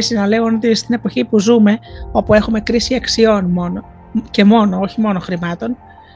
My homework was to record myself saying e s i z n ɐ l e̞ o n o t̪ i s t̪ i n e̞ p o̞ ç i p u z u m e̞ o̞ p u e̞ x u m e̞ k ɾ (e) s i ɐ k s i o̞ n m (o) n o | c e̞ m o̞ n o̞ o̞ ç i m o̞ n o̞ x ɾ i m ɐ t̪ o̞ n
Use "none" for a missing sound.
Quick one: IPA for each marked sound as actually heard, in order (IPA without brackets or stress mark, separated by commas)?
i, o